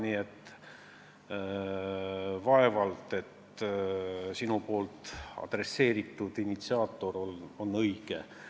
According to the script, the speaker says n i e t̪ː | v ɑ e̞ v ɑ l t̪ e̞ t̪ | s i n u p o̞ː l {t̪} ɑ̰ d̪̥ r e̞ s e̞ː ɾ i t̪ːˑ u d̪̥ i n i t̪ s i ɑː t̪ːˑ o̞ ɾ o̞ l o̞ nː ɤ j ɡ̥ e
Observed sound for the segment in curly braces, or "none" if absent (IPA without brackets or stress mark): t̪